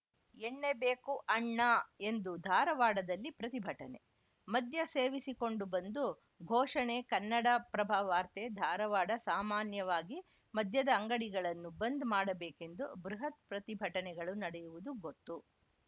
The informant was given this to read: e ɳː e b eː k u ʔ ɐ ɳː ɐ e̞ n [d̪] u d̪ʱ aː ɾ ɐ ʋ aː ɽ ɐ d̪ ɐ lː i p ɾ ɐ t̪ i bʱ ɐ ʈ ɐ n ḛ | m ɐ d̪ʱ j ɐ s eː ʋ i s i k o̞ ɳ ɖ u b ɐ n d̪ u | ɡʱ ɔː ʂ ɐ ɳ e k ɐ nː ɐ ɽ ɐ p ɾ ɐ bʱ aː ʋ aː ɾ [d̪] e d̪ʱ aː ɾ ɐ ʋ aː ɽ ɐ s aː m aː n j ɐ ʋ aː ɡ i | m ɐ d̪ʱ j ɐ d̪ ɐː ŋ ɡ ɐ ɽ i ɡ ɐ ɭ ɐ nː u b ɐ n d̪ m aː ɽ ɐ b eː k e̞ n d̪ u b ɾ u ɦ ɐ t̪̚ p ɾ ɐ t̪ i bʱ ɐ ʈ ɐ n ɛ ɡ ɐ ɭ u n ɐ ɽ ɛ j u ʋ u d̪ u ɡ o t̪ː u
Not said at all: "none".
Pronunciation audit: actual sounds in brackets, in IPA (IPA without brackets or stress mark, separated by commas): d̪, t̪